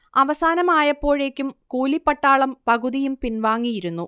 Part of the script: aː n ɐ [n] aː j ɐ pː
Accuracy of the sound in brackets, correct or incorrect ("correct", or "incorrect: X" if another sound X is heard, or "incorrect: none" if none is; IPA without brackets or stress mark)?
incorrect: m